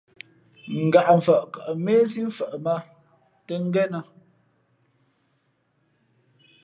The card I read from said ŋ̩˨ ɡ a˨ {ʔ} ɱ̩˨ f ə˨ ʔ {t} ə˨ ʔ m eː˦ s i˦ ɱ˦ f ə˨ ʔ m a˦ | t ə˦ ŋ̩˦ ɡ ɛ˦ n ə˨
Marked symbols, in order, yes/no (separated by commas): yes, no